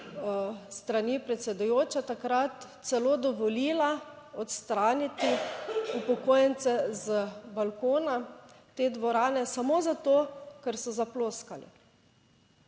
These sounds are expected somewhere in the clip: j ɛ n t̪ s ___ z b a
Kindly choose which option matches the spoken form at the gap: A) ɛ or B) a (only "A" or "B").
A